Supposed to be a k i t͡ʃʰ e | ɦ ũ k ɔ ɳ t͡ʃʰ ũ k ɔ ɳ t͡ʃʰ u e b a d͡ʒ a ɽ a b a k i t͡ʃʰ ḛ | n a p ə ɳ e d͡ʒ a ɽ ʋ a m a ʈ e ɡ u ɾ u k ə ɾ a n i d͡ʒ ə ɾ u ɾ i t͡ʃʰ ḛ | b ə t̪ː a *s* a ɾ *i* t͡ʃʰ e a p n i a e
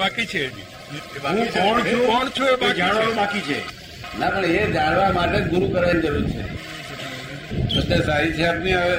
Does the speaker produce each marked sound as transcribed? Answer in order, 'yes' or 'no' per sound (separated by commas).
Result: yes, yes